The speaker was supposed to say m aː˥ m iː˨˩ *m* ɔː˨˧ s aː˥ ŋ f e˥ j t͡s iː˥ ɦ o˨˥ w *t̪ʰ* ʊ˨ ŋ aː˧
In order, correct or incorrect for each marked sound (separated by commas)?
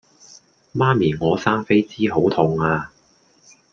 incorrect, correct